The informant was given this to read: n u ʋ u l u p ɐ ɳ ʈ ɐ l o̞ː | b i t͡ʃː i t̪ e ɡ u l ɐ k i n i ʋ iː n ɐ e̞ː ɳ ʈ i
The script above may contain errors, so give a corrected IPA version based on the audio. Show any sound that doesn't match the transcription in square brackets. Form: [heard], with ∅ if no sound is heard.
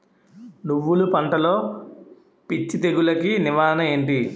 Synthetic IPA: n u [ʋː] u l u p ɐ ɳ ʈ ɐ l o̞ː | [p] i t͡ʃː i t̪ e ɡ u l ɐ k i n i ʋ [aː] n ɐ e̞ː ɳ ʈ i